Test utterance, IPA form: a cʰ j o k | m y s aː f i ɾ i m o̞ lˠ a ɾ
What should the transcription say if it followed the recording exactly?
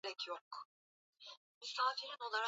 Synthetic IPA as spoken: ɛ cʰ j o k | m y s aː f i ɾ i n o̞ lˠ a ɾ